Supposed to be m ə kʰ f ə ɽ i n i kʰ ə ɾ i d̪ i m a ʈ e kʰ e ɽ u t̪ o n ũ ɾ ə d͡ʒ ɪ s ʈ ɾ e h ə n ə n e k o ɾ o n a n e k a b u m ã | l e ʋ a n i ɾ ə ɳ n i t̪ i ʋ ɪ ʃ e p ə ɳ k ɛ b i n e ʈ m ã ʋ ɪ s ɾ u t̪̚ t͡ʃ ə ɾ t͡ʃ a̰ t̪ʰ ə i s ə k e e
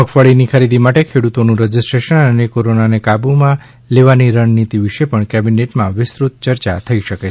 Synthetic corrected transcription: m ə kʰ f ə ɭ i n i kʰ ə ɾ i d̪ i m a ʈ e kʰ e ɽ u t̪ o n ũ ɾ ə d͡ʒ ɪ s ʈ ɾ e ʃ ə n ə n e k o ɾ o n a n e k a b u m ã | l e ʋ a n i ɾ ə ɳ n i t̪ i ʋ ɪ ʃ e p ə ɳ k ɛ b i n e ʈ m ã ʋ ɪ s ɾ u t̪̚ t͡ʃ ə ɾ t͡ʃ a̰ t̪ʰ ə i ʃ ə k e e

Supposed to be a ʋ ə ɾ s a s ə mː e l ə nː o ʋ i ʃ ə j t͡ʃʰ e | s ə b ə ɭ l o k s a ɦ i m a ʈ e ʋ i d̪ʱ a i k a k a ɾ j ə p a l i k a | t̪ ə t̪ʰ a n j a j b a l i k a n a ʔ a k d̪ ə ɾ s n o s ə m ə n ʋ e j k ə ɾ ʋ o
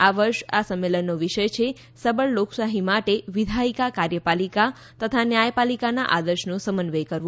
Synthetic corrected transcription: a ʋ ə ɾ ʃ a s ə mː e l ə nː o ʋ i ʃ ə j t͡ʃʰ e | s ə b ə ɭ l o k s a ɦ i m a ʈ e ʋ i d̪ʱ a i k a k a ɾ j ə p a l i k a | t̪ ə t̪ʰ a n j a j p a l i k a n a ʔ a d̪ ə ɾ ʃ n o s ə m ə n ʋ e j k ə ɾ ʋ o

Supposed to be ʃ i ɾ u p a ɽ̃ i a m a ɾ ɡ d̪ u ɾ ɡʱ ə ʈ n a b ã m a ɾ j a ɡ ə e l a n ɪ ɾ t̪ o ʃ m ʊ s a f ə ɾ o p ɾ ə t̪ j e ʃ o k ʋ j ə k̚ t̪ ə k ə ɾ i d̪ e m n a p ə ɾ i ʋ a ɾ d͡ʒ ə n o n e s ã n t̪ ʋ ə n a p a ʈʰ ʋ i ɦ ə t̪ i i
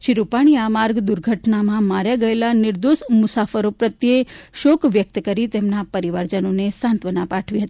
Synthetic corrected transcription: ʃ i ɾ u p a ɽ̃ i a m a ɾ ɡ d̪ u ɾ ɡʱ ə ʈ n a m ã m a ɾ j a ɡ ə e l a n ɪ ɾ d̪ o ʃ m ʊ s a f ə ɾ o p ɾ ə t̪ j e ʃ o k ʋ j ə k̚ t̪ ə k ə ɾ i t̪ e m n a p ə ɾ i ʋ a ɾ d͡ʒ ə n o n e s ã n t̪ ʋ ə n a p a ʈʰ ʋ i ɦ ə t̪ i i

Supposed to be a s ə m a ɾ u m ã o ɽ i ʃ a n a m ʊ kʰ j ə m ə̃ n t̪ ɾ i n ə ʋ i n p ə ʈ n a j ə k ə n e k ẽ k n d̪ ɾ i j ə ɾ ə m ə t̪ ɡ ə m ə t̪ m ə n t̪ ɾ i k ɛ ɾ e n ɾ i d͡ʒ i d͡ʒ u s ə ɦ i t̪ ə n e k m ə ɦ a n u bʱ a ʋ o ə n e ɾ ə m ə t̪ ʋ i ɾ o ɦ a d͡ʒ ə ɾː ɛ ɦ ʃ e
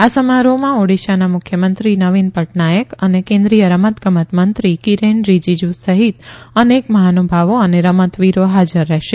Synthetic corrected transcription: a s ə m a ɾ o m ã o ɽ i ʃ a n a m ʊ kʰ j ə m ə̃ n t̪ ɾ i n ə ʋ i n p ə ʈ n a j ə k ə n e k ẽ n d̪ ɾ i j ə ɾ ə m ə t̪ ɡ ə m ə t̪ m ə n t̪ ɾ i k i ɾ e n ɾ i d͡ʒ i d͡ʒ u s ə ɦ i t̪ ə n e k m ə ɦ a n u bʱ a ʋ o ə n e ɾ ə m ə t̪ ʋ i ɾ o ɦ a d͡ʒ ə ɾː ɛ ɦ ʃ e

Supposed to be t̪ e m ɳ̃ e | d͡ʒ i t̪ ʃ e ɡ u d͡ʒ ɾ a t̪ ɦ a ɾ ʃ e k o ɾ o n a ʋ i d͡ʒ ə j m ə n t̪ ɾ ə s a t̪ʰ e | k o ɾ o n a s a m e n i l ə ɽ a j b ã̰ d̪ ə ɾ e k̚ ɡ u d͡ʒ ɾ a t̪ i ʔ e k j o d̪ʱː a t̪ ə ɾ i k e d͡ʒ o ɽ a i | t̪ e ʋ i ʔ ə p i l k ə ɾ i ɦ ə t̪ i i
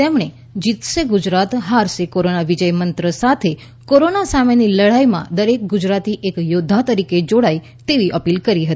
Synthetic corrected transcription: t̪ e m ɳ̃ e | d͡ʒ i t̪ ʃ e ɡ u d͡ʒ ɾ a t̪ ɦ a ɾ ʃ e k o ɾ o n a ʋ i d͡ʒ ə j m ə n t̪ ɾ ə s a t̪ʰ e | k o ɾ o n a s a m e n i l ə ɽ a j m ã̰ d̪ ə ɾ e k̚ ɡ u d͡ʒ ɾ a t̪ i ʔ e k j o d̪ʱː a t̪ ə ɾ i k e d͡ʒ o ɽ a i | t̪ e ʋ i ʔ ə p i l k ə ɾ i ɦ ə t̪ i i

